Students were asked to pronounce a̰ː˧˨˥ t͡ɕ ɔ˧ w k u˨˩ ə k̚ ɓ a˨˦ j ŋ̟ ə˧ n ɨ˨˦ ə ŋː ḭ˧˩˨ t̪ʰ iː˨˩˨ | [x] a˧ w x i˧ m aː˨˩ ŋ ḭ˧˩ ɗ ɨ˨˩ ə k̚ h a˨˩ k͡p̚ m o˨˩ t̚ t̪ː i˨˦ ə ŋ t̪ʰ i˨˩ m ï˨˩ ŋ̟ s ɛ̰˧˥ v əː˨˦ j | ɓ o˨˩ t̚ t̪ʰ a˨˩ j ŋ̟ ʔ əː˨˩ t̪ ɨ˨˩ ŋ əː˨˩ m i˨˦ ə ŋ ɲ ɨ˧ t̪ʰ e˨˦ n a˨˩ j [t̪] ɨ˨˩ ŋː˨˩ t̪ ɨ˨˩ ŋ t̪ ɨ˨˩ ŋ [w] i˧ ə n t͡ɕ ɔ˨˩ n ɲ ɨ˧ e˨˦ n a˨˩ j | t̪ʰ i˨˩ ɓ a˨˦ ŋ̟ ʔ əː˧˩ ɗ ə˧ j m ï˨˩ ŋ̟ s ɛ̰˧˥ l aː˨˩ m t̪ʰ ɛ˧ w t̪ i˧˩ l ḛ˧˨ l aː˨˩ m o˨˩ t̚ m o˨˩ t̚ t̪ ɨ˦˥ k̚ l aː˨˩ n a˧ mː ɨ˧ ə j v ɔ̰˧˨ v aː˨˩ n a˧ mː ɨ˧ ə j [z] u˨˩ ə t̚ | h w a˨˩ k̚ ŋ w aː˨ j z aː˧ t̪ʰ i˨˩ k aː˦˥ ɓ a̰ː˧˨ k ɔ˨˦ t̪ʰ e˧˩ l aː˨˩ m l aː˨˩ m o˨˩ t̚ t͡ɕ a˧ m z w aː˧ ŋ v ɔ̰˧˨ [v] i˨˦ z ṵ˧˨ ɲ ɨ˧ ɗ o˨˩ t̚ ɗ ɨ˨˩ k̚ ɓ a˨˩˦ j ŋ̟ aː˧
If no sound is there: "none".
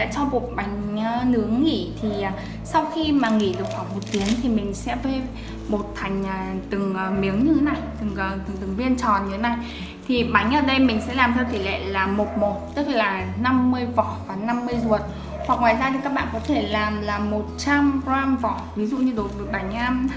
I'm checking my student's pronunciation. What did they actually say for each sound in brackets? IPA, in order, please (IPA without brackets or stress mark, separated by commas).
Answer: s, t̪, v, z, v